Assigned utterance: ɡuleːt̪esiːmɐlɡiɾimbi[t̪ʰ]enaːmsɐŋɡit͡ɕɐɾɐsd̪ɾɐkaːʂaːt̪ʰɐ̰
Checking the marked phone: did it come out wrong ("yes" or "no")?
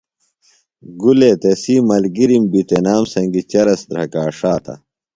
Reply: yes